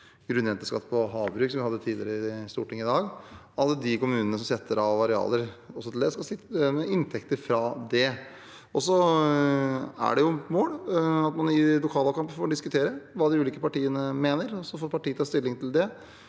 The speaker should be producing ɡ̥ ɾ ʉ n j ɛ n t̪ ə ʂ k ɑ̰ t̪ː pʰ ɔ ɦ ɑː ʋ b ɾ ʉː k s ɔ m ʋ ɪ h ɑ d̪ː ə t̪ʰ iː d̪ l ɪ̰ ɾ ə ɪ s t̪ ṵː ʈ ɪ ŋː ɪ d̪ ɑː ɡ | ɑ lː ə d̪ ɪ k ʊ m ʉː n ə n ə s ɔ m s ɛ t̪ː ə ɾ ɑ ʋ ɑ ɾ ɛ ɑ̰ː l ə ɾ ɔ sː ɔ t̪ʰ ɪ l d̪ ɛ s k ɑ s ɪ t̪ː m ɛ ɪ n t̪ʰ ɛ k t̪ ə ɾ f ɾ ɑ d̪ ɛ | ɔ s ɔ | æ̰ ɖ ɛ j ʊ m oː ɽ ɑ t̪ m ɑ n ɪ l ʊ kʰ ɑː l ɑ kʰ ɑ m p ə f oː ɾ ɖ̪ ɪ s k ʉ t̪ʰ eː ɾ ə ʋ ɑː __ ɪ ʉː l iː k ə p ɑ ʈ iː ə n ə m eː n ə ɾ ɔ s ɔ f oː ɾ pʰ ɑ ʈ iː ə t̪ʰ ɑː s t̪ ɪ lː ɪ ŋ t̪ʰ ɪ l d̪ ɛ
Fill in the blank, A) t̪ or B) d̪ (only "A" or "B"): B